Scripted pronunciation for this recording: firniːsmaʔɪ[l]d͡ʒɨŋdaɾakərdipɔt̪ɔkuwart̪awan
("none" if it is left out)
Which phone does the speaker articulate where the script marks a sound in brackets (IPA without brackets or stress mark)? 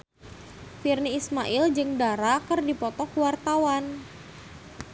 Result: l